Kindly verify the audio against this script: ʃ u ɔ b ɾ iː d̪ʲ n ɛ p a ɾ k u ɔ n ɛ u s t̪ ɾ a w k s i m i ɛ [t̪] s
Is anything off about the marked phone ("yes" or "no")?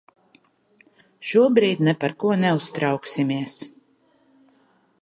yes